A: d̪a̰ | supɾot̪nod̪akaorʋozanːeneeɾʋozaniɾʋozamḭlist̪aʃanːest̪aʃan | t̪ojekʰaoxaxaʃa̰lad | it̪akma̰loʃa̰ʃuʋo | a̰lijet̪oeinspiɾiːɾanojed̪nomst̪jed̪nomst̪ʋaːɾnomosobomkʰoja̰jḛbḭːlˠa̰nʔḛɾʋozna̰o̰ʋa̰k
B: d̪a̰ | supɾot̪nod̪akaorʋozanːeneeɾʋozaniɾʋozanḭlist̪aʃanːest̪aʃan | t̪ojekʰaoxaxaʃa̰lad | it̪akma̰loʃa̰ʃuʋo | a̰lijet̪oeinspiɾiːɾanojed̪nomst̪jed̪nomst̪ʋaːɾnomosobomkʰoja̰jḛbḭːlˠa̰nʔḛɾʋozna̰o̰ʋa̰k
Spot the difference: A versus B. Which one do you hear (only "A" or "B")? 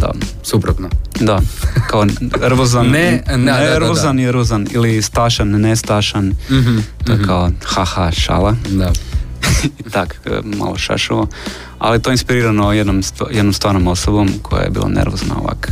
B